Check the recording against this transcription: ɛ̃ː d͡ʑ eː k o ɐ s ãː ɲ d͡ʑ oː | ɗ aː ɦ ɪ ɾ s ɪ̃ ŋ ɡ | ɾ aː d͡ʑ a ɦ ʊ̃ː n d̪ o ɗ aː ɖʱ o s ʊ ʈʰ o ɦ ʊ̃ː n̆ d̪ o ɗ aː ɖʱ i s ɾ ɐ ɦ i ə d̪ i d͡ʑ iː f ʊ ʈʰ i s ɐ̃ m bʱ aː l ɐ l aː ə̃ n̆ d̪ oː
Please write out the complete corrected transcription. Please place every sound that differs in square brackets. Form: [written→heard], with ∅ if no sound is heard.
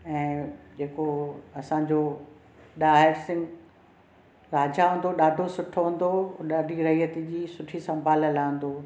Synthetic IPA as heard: ɛ̃ː d͡ʑ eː k o ɐ s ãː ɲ d͡ʑ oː | ɗ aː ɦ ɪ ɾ s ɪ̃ ŋ ɡ | ɾ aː d͡ʑ a ɦ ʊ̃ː n d̪ o ɗ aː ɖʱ o s ʊ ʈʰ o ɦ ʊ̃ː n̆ d̪ o ɗ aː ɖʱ i [s→∅] ɾ ɐ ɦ i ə [d̪→t̪] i d͡ʑ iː [f→s] ʊ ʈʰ i s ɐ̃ m bʱ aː l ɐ l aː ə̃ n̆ d̪ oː